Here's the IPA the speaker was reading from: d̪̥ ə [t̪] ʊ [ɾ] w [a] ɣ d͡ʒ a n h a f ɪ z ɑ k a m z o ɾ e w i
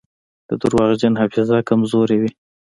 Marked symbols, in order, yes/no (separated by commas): no, yes, no